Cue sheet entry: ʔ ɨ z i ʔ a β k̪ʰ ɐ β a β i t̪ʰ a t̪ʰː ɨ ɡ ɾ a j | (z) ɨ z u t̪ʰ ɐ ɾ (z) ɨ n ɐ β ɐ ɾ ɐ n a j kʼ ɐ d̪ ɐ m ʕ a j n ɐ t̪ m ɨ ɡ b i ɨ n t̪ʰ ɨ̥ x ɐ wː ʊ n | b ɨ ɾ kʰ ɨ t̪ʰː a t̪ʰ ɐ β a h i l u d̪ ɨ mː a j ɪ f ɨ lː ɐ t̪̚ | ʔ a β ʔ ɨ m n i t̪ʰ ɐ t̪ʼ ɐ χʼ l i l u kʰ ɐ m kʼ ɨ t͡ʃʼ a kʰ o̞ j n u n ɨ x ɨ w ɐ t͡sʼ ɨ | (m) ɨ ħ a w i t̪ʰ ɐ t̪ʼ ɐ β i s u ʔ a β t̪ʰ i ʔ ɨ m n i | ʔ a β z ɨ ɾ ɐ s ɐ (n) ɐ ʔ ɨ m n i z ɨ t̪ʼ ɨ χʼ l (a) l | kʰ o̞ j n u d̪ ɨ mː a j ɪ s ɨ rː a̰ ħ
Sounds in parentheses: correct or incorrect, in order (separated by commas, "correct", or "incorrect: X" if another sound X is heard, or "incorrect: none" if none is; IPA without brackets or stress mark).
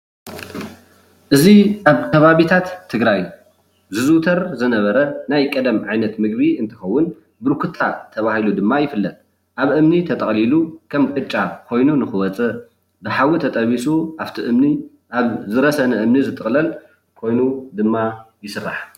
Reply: correct, correct, incorrect: b, correct, incorrect: ɐ